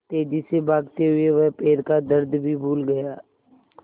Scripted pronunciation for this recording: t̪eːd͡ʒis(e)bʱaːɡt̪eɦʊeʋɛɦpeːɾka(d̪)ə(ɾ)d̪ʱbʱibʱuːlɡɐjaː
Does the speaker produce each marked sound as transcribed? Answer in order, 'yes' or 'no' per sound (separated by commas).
yes, yes, yes